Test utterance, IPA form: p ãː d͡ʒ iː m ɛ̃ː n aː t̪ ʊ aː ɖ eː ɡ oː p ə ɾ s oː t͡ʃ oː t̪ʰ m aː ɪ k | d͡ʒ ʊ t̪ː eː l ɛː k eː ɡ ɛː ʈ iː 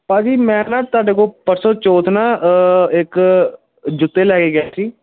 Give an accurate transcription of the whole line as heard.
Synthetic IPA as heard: p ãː d͡ʒ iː m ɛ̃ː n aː t̪ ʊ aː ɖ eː k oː p ə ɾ s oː t͡ʃ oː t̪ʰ n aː ɪ k | d͡ʒ ʊ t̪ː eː l ɛː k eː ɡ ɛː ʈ iː